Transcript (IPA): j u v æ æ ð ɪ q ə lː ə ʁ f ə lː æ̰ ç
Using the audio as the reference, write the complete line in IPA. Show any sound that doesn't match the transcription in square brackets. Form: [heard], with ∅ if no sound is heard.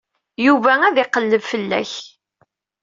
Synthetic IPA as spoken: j u v æ æ ð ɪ q ə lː ə [v] f ə lː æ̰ ç